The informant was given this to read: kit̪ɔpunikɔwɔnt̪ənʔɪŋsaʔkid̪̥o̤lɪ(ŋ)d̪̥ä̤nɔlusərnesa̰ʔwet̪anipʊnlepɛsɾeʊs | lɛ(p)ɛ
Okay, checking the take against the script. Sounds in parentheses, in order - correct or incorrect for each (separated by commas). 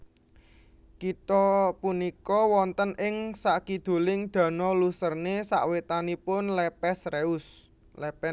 correct, correct